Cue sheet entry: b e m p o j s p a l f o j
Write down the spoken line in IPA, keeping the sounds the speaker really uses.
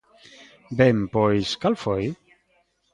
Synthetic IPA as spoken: b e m p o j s k a l f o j